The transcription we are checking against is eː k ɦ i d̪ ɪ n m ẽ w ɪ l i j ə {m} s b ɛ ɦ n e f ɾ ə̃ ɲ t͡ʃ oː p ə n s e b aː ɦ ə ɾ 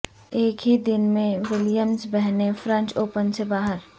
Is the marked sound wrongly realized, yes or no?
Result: no